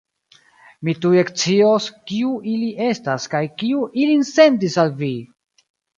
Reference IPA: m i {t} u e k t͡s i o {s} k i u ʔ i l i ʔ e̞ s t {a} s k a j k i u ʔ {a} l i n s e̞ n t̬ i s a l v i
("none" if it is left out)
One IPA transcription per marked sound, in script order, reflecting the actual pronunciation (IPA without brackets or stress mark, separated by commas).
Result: t, s, a, i